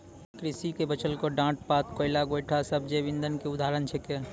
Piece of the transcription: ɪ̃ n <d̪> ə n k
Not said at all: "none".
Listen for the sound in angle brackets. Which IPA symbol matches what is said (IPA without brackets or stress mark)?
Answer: d̪